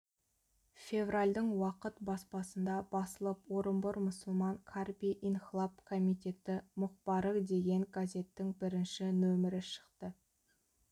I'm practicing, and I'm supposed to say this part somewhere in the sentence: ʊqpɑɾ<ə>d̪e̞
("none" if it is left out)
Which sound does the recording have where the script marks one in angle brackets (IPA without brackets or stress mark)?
ə